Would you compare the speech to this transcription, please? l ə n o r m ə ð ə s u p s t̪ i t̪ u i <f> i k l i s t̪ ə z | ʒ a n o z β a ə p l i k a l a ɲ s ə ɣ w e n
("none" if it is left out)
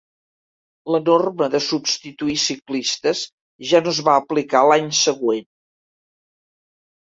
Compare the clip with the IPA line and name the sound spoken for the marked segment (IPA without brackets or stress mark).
s